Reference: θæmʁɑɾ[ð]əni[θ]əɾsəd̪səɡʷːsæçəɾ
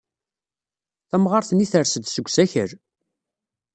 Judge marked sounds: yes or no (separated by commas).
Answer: no, yes